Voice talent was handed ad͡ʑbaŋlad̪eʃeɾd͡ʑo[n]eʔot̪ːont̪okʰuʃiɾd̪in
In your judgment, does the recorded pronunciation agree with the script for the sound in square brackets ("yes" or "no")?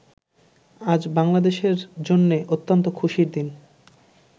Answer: no